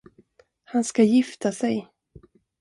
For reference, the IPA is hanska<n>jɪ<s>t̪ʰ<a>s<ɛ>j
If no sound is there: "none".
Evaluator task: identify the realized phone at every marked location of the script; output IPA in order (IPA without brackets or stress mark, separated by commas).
none, f, a, ɛ